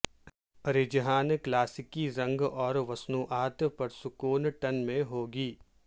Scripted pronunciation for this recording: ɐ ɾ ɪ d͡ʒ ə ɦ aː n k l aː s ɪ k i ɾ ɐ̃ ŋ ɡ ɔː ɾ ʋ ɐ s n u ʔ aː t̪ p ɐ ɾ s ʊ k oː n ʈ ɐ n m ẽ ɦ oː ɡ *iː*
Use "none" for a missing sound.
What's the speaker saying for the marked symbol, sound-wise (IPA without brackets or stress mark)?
iː